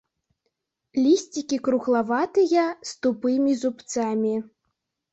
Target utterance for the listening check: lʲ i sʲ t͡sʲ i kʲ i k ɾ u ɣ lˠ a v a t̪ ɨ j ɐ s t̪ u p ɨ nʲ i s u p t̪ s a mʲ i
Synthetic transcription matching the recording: lʲ i sʲ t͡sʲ i kʲ i k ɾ u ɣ lˠ a v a t̪ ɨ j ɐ s t̪ u p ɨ mʲ i z u p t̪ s a mʲ i

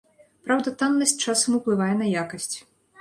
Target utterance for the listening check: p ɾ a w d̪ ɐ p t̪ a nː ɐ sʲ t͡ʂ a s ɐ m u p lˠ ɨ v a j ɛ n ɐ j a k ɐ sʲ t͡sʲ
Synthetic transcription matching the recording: p ɾ a w d̪ ɐ t̪ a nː ɐ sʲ t͡ʂ a s ɐ m u p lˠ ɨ v a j ɛ n ɐ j a k ɐ sʲ t͡sʲ

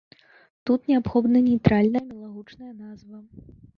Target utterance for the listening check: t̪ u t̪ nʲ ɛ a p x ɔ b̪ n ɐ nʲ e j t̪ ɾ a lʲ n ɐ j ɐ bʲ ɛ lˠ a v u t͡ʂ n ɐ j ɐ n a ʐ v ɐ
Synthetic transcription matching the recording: t̪ u t̪ nʲ ɛ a p x ɔ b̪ n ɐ nʲ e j t̪ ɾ a lʲ n ɐ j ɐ mʲ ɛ lˠ a ɣ u t͡ʂ n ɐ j ɐ n a z v ɐ

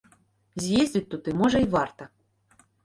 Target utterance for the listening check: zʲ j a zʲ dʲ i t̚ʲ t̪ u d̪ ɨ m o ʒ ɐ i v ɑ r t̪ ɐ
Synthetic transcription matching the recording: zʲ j e zʲ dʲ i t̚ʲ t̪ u t̪ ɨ m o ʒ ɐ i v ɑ r t̪ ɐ

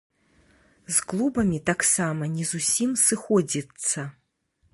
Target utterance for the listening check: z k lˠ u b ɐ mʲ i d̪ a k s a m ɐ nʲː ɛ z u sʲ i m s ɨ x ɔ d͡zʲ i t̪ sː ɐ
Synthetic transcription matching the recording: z k lˠ u b ɐ mʲ i t̪ a k s a m ɐ nʲ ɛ z u sʲ i m s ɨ x ɔ d͡zʲ i t̪ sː ɐ

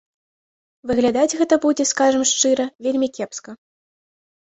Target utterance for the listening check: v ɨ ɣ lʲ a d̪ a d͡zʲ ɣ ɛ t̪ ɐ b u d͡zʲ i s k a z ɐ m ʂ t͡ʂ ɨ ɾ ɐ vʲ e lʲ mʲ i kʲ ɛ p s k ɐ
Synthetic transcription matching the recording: v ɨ ɣ lʲ a d̪ a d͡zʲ ɣ ɛ t̪ ɐ b u d͡zʲ ɛ s k a ʐ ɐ m ʂ t͡ʂ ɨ ɾ ɐ vʲ e lʲ mʲ i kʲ ɛ p s k ɐ

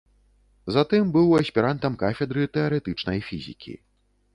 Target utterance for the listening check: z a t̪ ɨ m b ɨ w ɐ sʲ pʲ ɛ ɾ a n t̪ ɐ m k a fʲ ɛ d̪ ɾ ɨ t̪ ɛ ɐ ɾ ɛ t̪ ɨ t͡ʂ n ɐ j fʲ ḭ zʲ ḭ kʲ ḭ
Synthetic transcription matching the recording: z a t̪ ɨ m b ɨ w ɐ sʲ pʲ i ɾ a n t̪ ɐ m k a fʲ ɛ d̪ ɾ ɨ t̪ ɛ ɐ ɾ ɛ t̪ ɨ t͡ʂ n ɐ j fʲ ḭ zʲ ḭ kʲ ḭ

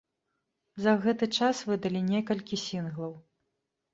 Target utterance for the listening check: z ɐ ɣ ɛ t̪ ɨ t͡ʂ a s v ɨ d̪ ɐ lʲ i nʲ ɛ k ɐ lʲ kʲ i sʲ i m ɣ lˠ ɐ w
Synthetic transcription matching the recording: z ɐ ɣ ɛ t̪ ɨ t͡ʂ a s v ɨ d̪ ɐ lʲ i nʲ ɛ k ɐ lʲ kʲ i sʲ i n ɣ lˠ ɐ w

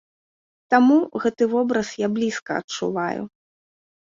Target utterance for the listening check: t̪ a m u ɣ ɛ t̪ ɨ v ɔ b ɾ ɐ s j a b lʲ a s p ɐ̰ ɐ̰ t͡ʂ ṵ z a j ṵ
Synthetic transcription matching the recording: t̪ a m u ɣ ɛ t̪ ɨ v ɔ b ɾ ɐ s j a b lʲ i s k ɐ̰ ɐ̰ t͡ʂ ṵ v a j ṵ

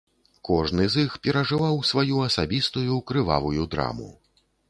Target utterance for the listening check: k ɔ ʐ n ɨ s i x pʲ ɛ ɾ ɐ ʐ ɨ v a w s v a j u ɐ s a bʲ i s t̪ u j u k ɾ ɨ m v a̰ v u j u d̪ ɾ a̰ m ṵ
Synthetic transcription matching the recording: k ɔ ʐ n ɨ z i x pʲ ɛ ɾ ɐ ʐ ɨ v a w s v a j u ɐ s a bʲ i s t̪ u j u k ɾ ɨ v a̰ v u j u d̪ ɾ a̰ m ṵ

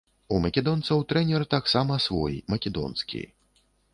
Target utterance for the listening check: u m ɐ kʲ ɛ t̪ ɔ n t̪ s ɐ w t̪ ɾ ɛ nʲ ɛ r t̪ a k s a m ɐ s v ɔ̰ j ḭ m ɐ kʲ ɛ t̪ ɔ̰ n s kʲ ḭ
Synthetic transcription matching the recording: u m ɐ kʲ ɛ d̪ ɔ n t̪ s ɐ w t̪ ɾ ɛ nʲ ɛ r t̪ a k s a m ɐ s v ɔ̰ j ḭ m ɐ kʲ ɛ d̪ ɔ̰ n s kʲ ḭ

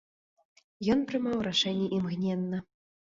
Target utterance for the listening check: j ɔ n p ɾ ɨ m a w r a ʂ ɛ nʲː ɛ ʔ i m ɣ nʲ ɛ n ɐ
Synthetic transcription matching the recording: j ɔ n p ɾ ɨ m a w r a ʂ ɛ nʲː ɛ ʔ i m ɣ nʲ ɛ nː ɐ

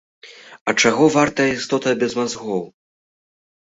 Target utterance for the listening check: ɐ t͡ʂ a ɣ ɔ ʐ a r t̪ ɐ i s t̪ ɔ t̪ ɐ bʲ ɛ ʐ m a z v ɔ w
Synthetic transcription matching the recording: ɐ t͡ʂ a ɣ ɔ v a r t̪ ɐ i s t̪ ɔ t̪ ɐ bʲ ɛ z m a z ɣ ɔ w

